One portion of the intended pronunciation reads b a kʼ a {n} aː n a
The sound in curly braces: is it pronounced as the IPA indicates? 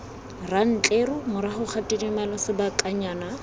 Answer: no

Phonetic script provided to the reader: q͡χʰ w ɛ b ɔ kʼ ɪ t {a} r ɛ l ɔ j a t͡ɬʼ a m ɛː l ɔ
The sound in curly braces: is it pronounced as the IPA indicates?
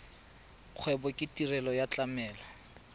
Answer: no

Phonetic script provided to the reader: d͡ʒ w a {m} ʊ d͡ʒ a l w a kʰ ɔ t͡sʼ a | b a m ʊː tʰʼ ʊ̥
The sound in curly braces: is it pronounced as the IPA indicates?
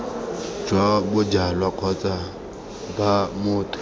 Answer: no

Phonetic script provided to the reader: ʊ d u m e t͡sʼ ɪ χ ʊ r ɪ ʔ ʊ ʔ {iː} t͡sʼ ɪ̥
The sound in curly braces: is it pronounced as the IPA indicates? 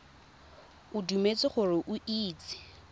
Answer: yes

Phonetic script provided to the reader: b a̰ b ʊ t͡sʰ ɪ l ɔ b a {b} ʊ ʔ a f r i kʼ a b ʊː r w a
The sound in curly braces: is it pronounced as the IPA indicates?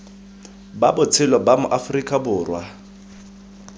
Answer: no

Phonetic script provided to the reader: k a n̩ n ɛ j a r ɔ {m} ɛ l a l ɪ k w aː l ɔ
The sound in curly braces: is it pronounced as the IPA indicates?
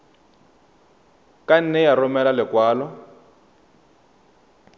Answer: yes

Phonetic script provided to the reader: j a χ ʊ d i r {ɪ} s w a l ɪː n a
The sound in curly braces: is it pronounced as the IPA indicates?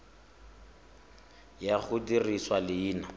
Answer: no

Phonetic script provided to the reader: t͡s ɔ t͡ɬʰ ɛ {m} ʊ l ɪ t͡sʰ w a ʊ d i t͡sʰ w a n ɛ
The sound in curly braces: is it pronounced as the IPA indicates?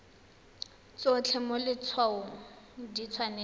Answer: yes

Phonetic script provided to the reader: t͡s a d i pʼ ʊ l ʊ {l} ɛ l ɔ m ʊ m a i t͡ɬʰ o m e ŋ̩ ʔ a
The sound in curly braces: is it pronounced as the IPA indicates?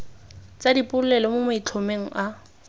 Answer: yes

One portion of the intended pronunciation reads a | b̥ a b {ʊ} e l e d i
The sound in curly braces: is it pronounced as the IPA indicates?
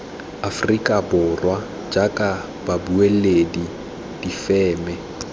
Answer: no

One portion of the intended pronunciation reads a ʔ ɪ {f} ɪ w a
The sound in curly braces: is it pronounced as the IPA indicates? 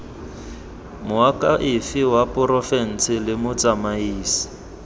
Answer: yes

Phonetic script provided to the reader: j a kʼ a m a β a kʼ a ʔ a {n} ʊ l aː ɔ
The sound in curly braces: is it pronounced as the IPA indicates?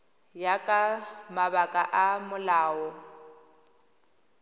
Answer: no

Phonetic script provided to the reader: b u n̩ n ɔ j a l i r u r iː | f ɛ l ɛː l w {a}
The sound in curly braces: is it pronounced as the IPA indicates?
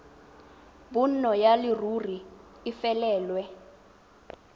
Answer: no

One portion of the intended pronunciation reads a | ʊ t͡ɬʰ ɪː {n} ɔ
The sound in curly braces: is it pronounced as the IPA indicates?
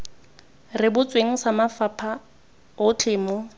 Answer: no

